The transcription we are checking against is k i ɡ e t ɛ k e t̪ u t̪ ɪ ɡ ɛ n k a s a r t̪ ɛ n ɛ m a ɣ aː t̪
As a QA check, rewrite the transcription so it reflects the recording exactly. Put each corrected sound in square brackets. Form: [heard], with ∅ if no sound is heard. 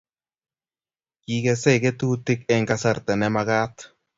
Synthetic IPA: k i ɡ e [s] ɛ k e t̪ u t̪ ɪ [k] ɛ [ŋ] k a s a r t̪ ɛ n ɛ m a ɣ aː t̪